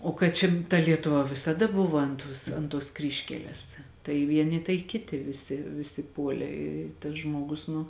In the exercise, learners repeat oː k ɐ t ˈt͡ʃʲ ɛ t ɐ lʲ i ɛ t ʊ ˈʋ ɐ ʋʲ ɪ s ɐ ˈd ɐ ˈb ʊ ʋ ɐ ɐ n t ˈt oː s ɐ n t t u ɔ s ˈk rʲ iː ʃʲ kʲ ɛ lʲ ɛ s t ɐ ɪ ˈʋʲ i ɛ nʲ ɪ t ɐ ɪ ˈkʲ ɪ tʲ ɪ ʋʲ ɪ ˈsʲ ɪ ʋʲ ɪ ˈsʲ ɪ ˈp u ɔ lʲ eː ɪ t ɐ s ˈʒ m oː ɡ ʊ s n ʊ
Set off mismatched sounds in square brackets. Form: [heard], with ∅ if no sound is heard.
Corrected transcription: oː k ɐ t ˈt͡ʃʲ ɛ t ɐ lʲ i ɛ t ʊ ˈʋ ɐ ʋʲ ɪ s ɐ ˈd ɐ ˈb ʊ ʋ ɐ ɐ n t ˈt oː s ɐ n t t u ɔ s ˈk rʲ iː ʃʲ kʲ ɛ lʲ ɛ s t ɐ ɪ ˈʋʲ i ɛ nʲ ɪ t ɐ ɪ ˈkʲ ɪ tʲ ɪ ʋʲ ɪ ˈsʲ ɪ ʋʲ ɪ ˈsʲ ɪ ˈp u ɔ lʲ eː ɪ t ɐ s ˈʒ m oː ɡ ʊ s n ʊ